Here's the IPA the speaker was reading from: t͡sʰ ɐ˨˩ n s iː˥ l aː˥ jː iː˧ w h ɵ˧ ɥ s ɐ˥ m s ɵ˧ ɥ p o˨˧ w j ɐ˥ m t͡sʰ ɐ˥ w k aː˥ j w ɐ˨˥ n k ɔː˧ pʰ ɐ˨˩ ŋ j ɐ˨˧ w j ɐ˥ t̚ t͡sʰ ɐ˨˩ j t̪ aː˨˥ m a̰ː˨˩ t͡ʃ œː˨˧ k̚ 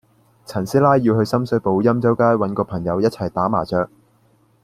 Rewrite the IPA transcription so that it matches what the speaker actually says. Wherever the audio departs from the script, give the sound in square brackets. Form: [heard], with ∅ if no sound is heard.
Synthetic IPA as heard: t͡sʰ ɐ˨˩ n s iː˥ l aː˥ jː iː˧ w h ɵ˧ ɥ s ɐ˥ m s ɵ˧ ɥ p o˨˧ w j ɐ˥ m [t͡s] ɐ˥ w k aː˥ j w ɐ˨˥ n k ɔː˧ pʰ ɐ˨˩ ŋ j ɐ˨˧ w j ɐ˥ t̚ t͡sʰ ɐ˨˩ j t̪ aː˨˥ m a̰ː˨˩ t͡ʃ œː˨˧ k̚